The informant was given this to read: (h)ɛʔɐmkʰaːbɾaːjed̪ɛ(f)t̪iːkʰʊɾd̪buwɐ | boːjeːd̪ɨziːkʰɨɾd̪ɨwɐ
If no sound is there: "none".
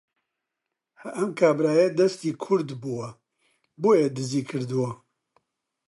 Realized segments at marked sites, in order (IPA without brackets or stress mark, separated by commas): h, s